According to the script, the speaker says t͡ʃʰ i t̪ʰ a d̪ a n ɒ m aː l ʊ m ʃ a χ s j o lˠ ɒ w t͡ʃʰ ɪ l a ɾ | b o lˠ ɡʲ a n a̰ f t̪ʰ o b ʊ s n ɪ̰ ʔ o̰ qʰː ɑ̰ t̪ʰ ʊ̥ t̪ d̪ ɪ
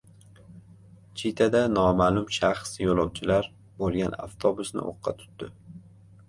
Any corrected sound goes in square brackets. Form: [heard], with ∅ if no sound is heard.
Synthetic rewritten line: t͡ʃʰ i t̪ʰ a d̪ a n ɒ m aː l ʊ m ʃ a χ s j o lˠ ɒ w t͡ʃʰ ɪ l a ɾ | b o lˠ ɡʲ a n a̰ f t̪ʰ o b ʊ s n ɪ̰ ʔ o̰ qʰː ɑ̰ t̪ʰ ʊ̥ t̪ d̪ ɪ